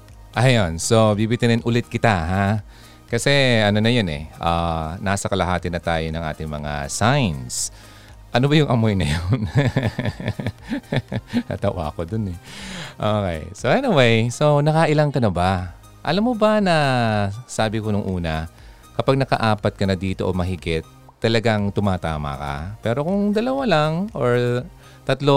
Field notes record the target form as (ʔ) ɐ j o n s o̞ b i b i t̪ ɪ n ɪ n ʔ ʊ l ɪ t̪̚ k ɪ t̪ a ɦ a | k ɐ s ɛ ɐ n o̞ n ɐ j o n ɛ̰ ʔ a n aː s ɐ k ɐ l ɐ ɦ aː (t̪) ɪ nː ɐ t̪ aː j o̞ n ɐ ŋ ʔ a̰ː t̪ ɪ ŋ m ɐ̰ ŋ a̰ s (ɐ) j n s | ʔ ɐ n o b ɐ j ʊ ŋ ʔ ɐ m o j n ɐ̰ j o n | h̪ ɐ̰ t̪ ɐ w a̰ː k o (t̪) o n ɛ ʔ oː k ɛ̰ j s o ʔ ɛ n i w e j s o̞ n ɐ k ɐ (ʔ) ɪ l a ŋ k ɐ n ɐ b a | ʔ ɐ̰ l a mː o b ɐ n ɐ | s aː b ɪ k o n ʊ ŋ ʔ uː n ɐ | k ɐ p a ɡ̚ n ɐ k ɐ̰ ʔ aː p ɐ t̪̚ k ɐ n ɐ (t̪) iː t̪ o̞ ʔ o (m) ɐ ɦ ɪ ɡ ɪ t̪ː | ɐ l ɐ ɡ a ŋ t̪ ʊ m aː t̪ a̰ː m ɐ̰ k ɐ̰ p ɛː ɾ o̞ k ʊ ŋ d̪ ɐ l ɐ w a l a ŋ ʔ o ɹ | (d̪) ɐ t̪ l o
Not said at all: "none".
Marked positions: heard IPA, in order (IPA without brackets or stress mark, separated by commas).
ʔ, t̪, a, d̪, ʔ, d̪, m, t̪